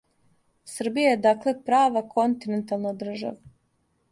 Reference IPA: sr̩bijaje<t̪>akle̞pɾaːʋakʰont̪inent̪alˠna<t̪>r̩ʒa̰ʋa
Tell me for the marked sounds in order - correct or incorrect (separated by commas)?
incorrect, incorrect